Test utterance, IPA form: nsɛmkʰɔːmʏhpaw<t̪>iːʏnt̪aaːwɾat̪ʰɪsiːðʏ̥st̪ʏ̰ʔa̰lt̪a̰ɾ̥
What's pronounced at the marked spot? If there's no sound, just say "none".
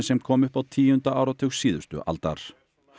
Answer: t̪ʰ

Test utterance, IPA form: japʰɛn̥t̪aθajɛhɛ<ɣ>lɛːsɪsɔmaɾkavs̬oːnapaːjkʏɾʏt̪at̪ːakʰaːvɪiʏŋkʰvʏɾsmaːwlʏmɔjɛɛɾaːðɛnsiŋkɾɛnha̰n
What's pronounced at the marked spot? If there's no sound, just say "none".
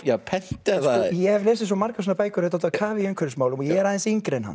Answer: v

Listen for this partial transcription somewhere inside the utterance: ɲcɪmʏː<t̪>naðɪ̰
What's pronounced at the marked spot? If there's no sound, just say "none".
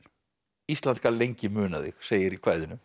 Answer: none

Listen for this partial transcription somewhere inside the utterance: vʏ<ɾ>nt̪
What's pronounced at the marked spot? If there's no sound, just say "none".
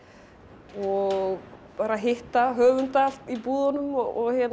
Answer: none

